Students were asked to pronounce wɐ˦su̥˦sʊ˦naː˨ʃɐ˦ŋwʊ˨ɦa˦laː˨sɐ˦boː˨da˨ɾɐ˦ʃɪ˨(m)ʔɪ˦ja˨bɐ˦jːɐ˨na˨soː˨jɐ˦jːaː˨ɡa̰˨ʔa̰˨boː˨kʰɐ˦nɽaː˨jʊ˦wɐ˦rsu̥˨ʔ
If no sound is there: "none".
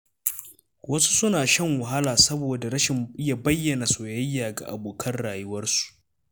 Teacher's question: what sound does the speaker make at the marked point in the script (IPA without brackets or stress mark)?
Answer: m